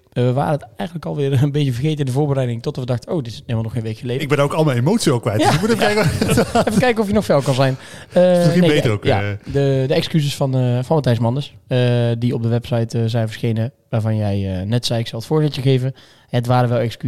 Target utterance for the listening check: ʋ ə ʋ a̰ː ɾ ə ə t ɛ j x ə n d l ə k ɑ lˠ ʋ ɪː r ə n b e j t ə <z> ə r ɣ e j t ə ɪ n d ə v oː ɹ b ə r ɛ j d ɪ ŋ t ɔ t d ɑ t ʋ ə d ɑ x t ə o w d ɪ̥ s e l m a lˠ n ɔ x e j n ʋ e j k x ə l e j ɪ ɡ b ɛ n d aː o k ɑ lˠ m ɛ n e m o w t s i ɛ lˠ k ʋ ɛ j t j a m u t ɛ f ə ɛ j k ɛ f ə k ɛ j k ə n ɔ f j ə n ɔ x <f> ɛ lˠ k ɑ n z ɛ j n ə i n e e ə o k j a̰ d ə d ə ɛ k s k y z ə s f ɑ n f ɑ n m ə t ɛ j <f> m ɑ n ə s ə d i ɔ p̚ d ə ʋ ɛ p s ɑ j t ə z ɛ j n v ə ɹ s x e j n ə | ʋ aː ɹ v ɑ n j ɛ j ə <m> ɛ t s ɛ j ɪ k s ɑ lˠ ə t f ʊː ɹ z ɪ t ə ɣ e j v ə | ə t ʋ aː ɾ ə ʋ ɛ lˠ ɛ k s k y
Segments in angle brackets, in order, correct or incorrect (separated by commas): incorrect, correct, incorrect, incorrect